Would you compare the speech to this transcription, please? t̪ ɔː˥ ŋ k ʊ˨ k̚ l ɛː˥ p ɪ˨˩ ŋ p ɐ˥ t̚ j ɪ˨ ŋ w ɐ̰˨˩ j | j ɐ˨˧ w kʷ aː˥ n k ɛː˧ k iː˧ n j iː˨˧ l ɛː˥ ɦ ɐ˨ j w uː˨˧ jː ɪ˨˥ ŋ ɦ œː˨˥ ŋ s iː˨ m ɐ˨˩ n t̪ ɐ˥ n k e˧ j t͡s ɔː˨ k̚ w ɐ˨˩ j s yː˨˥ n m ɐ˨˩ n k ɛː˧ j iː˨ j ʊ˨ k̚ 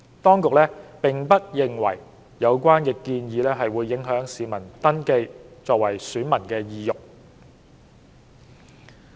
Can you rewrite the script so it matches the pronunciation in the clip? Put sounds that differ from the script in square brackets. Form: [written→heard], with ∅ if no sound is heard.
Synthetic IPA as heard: t̪ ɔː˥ ŋ k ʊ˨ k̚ l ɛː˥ p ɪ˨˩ ŋ p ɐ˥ t̚ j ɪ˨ ŋ w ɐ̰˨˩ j | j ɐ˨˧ w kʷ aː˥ n k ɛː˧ k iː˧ n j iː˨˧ l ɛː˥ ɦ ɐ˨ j w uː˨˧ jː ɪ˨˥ ŋ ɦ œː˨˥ ŋ s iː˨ m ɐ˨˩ n t̪ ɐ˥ n k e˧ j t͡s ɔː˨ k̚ w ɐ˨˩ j s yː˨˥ n m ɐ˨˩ n k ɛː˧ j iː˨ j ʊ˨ k̚